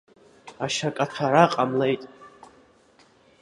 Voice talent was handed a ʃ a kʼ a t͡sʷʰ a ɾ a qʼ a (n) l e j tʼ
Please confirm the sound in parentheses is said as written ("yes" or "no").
no